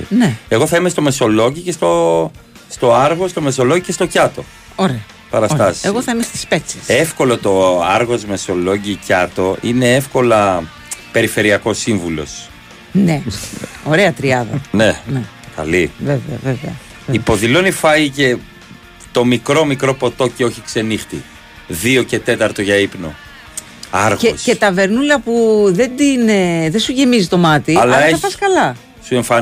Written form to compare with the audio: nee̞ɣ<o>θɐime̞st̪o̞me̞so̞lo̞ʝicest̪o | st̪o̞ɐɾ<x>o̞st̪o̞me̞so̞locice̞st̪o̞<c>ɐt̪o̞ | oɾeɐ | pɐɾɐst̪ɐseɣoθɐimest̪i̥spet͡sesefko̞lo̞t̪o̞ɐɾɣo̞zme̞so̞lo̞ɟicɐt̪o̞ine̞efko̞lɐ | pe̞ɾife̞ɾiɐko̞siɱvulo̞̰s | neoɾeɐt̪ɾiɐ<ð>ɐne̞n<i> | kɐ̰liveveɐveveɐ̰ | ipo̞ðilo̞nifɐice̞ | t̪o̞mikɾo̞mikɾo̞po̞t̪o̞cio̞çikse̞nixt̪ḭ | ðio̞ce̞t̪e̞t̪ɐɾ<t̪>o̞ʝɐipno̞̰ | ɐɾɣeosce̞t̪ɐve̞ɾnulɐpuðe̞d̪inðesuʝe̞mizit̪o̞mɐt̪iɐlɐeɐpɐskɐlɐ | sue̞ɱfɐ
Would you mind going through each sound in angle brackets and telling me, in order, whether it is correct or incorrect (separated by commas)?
correct, incorrect, correct, correct, incorrect, correct